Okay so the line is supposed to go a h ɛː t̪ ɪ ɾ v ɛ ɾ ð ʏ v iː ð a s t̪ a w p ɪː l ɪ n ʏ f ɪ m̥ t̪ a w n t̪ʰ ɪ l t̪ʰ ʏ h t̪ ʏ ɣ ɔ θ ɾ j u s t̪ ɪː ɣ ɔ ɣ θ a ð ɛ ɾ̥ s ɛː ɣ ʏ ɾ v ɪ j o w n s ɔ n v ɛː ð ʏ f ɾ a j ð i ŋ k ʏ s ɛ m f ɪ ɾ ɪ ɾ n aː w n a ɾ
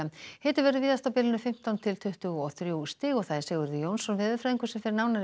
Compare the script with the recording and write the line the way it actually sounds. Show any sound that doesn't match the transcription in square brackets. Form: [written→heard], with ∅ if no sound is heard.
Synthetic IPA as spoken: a h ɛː t̪ ɪ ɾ v ɛ ɾ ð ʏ v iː ð a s t̪ a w p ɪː l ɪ n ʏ f ɪ m̥ t̪ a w n t̪ʰ ɪ l t̪ʰ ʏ h t̪ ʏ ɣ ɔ θ ɾ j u s t̪ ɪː ɣ ɔ ɣ θ a ð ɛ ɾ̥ s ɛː ɣ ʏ ɾ [v→ð] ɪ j o w n s ɔ n v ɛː ð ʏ f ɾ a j ð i ŋ k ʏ s ɛ m f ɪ ɾ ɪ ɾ n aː w n a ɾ